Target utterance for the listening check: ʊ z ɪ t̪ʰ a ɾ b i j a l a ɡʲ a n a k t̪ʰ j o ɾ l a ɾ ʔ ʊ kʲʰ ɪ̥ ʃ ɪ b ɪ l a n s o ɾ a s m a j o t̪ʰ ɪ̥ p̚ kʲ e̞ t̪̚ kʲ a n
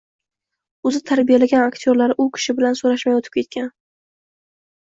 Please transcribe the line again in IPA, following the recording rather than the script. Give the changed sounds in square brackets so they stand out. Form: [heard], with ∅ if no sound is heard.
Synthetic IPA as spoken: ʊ z ɪ t̪ʰ a ɾ b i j a l a ɡʲ a n a k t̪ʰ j o ɾ l a ɾ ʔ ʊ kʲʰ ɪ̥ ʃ ɪ b ɪ l a n s o ɾ a [ʃ] m a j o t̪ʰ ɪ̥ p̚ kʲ e̞ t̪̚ kʲ a n